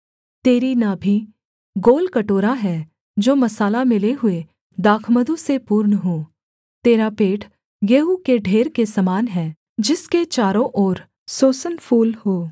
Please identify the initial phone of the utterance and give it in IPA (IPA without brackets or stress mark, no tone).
t̪